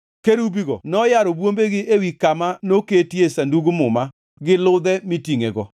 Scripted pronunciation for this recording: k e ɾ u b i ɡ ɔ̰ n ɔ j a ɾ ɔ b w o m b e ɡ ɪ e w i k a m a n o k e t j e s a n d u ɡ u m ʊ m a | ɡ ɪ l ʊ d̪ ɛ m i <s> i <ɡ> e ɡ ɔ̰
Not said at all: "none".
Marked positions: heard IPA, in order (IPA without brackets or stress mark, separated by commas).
t, ŋ